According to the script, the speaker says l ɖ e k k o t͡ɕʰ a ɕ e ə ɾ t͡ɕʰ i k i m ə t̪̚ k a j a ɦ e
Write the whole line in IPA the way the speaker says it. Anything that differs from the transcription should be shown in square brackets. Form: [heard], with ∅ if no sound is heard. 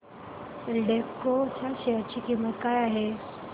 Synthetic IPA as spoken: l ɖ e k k o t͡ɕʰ a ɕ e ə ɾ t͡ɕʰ i k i m ə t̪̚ k a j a ɦ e